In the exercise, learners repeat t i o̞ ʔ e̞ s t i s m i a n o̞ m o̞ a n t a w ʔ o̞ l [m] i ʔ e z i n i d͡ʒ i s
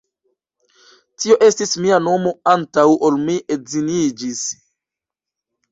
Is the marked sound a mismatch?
no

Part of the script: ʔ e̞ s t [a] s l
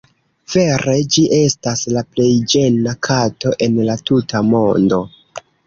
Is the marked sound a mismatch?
no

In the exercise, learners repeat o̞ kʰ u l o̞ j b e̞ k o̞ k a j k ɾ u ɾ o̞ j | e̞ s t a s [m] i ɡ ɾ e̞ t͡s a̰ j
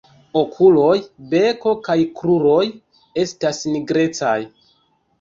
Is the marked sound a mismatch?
yes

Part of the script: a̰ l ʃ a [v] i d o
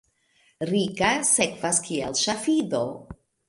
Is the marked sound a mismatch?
yes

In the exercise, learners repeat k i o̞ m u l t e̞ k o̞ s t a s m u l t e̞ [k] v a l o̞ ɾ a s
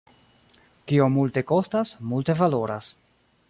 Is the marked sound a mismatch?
yes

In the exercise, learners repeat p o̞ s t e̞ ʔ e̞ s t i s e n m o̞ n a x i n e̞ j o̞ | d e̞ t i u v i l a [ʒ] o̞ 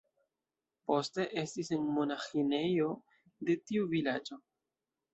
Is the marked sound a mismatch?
yes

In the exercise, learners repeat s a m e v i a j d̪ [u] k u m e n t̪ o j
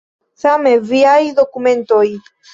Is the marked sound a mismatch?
yes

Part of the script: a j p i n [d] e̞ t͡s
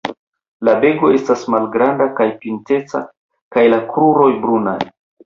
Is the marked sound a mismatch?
yes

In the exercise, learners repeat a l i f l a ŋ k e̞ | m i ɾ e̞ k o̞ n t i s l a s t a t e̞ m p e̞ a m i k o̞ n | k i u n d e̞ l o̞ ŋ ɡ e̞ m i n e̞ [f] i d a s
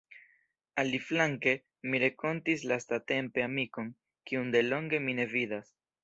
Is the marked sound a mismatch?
yes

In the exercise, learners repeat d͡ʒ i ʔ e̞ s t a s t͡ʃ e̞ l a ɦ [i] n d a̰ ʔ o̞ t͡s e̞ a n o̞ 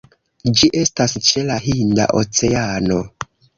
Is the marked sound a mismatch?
no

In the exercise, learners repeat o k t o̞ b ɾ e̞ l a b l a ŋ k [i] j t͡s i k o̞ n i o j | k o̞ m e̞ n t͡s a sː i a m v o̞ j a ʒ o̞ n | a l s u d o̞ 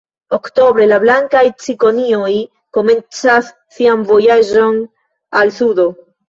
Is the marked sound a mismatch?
yes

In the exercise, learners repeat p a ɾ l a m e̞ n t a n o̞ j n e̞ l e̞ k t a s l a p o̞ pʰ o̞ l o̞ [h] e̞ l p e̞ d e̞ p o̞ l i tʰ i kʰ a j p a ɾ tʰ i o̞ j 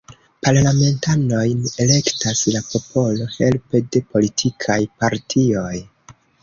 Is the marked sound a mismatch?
no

